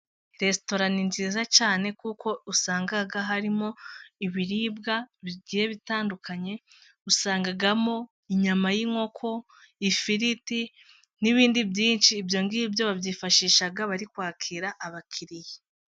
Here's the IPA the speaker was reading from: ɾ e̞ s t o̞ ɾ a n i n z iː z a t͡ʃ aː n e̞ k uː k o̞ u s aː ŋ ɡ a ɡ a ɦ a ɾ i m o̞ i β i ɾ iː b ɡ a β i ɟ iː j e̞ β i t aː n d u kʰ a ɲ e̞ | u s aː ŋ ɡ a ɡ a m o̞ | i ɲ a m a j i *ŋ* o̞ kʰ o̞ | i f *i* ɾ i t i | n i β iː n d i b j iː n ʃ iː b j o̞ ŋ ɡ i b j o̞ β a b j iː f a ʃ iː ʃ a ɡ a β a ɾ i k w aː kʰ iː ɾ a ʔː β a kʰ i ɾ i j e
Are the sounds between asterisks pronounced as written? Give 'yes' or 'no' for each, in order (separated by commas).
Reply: yes, yes